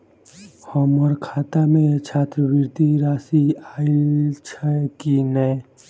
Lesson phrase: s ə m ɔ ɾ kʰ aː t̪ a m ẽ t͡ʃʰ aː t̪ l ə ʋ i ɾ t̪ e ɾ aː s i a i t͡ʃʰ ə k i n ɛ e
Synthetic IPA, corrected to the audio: h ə m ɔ ɾ kʰ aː t̪ a m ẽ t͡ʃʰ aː t̪ ɾ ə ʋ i ɾ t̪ i ɾ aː s i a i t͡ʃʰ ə k i n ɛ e